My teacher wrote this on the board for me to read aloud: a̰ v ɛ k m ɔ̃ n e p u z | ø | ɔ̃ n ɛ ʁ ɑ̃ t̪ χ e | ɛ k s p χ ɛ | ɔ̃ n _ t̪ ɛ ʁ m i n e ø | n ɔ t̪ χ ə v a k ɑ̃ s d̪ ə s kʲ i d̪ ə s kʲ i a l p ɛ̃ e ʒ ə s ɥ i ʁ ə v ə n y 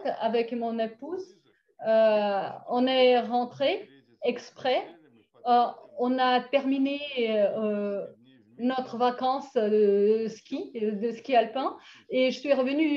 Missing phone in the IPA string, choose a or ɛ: a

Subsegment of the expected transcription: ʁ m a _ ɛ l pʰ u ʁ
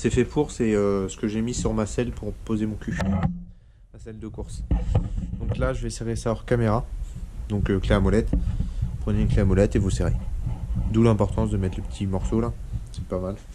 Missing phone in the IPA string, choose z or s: s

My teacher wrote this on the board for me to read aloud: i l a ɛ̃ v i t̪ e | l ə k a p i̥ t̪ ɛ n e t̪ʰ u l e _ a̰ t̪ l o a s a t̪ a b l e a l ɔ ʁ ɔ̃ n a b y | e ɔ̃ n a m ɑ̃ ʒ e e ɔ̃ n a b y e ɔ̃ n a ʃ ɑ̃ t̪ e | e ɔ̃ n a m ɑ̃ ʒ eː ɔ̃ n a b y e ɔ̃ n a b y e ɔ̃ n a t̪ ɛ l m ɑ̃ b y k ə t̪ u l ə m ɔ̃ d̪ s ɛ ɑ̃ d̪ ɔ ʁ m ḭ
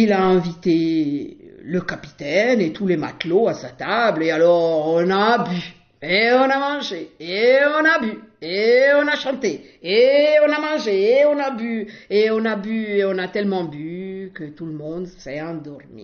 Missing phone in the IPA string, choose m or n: m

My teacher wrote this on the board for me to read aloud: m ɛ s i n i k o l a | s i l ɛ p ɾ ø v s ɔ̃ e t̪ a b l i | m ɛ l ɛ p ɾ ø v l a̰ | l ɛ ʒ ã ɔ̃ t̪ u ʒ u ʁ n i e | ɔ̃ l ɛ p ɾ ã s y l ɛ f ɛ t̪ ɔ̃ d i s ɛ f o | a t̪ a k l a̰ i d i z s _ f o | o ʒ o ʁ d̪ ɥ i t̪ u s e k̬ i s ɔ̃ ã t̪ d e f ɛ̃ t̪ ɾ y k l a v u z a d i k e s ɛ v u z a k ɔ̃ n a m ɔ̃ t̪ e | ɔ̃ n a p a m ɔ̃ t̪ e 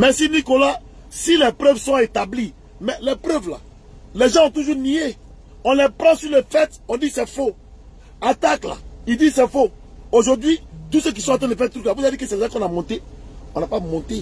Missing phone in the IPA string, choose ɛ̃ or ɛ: ɛ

